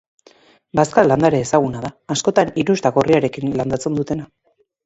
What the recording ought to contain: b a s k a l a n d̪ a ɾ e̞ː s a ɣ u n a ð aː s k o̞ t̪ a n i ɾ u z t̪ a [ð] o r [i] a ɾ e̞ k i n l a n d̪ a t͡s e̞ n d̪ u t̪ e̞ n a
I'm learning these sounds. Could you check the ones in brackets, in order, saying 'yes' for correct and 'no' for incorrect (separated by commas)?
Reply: no, yes